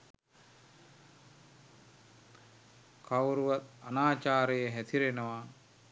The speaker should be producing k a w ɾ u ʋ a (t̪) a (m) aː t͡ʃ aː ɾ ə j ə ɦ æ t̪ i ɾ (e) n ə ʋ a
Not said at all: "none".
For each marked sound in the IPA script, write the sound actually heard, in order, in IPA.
t̪, n, e

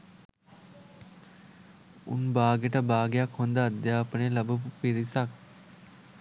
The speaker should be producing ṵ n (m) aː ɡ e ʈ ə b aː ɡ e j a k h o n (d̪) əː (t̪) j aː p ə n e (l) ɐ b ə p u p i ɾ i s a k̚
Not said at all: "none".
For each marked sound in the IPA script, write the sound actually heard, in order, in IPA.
b, d̪, d̪, l

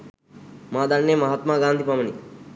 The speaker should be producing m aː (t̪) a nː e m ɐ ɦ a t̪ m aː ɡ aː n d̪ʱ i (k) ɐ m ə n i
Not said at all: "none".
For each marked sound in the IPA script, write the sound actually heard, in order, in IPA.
d̪, p

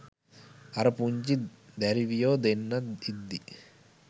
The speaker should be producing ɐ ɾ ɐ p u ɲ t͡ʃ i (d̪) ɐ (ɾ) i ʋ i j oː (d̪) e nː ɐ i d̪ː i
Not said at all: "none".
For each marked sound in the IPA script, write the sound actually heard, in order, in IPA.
d̪, ɾ, d̪

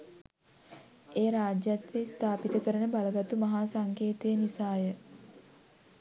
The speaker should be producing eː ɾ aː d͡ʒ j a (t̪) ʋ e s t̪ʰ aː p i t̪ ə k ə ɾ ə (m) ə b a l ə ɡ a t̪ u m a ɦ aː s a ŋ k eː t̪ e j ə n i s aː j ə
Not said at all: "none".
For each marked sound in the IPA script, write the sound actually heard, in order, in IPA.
t̪, n

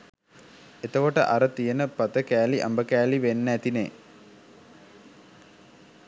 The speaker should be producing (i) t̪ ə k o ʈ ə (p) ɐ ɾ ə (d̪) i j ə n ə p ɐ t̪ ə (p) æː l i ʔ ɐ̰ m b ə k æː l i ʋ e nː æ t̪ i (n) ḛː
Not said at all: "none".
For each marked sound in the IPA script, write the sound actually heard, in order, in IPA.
e, ʔ, t̪, k, n

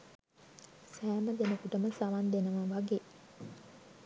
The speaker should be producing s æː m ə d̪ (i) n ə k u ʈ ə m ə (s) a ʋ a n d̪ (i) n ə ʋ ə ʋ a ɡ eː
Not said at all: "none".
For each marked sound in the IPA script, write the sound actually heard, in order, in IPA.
e, s, e

